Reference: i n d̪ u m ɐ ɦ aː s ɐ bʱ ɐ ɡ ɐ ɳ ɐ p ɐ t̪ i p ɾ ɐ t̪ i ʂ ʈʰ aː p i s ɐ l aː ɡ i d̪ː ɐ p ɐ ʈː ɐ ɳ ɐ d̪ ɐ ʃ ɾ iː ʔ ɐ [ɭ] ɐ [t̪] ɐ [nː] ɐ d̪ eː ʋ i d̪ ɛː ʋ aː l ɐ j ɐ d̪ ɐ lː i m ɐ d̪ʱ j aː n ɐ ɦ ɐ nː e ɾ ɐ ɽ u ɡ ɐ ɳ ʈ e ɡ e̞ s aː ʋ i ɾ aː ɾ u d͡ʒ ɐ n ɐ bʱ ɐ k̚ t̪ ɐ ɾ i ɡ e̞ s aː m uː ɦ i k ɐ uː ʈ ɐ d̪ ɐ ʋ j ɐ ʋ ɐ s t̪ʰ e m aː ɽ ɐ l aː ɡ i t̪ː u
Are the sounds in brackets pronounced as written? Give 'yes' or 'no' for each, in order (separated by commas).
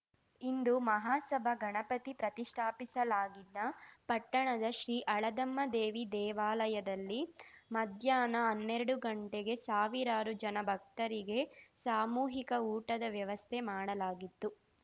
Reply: yes, no, no